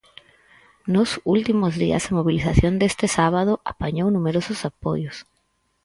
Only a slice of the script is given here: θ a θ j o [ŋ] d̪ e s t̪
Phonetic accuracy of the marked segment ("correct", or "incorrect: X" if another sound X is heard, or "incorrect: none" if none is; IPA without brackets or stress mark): incorrect: n